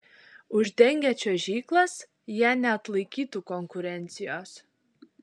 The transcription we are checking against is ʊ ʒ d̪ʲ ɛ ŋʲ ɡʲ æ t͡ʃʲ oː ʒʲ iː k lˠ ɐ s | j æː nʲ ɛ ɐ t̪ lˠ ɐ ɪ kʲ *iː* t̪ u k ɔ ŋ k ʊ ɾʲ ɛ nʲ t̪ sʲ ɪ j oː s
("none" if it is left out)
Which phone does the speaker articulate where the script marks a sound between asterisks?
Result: iː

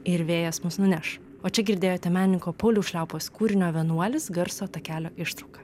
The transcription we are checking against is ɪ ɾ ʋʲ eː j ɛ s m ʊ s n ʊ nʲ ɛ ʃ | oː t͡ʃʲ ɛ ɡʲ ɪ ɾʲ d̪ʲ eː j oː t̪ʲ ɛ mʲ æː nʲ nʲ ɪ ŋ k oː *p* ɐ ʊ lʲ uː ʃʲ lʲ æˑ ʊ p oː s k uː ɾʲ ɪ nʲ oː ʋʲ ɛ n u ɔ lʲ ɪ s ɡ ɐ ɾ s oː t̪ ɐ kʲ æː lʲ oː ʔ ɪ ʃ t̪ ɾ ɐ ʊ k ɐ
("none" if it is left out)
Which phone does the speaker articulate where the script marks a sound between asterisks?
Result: p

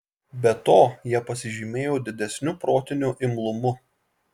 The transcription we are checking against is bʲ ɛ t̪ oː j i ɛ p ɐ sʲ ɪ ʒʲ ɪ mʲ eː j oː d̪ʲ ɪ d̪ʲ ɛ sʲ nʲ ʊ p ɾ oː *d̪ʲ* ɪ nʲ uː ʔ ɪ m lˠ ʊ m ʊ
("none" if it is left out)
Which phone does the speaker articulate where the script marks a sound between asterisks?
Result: t̪ʲ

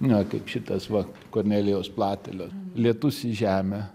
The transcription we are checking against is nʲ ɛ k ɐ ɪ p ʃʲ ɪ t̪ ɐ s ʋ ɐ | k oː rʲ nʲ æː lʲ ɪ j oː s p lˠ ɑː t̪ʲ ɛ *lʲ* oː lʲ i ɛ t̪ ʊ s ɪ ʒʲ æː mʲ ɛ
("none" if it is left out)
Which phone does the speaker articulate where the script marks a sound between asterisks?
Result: lʲ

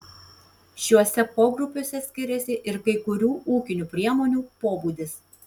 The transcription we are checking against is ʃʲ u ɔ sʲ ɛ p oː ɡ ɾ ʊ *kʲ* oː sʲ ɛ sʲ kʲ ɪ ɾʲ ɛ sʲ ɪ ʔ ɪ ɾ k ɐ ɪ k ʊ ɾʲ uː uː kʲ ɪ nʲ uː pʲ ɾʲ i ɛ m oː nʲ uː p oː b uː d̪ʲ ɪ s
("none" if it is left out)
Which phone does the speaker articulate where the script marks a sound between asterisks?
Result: pʲ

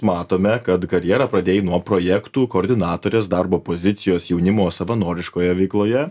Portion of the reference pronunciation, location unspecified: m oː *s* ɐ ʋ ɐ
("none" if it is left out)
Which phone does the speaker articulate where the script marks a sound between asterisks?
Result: s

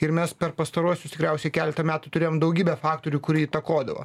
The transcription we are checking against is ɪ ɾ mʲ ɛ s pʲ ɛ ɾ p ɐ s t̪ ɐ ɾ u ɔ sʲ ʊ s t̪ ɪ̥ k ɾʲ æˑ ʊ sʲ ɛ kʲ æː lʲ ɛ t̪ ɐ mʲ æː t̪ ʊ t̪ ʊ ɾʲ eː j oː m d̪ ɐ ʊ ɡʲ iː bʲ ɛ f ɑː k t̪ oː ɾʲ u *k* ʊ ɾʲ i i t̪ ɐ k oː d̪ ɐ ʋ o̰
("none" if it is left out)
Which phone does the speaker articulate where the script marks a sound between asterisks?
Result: k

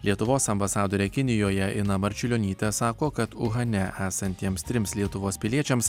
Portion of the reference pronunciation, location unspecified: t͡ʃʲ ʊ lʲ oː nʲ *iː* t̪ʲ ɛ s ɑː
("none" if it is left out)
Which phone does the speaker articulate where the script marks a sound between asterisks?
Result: iː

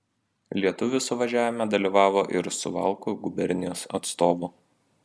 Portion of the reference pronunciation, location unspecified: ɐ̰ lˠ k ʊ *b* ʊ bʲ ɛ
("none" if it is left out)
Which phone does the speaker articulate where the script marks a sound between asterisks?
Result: ɡ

